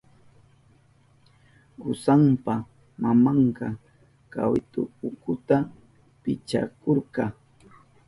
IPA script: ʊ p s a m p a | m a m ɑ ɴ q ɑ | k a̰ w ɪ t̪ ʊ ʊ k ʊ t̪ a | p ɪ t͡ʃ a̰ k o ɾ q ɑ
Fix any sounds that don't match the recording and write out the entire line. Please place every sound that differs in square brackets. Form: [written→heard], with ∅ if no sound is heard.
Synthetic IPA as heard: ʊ [p→∅] s a m p a | m a m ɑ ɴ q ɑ | k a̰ w ɪ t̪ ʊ ʊ k ʊ t̪ a | p ɪ t͡ʃ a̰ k o ɾ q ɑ